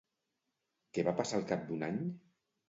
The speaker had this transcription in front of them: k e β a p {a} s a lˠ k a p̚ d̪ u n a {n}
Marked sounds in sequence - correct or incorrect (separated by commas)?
correct, incorrect